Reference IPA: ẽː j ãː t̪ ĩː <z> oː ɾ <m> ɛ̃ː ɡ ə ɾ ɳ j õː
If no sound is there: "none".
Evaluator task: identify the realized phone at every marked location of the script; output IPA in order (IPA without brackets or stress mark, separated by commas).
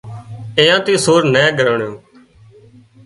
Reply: s, n